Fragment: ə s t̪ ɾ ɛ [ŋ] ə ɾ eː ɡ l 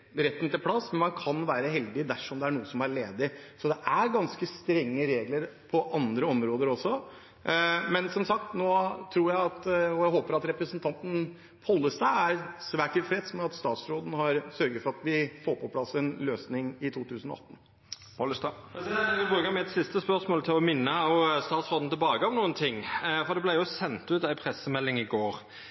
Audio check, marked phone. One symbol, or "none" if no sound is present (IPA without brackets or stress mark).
ŋː